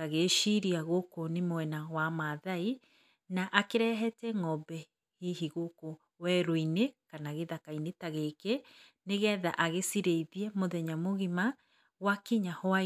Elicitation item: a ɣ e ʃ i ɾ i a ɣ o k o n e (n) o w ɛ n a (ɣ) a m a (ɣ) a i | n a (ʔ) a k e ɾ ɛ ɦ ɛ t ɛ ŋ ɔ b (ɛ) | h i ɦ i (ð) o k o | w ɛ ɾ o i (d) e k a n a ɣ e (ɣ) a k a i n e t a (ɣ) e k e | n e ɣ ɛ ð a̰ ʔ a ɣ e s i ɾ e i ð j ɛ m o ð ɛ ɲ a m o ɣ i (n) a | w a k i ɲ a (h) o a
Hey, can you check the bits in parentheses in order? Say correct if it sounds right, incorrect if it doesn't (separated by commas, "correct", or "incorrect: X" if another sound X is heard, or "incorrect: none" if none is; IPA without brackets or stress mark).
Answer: incorrect: m, incorrect: w, incorrect: ð, correct, correct, incorrect: ɣ, incorrect: n, incorrect: ð, correct, incorrect: m, correct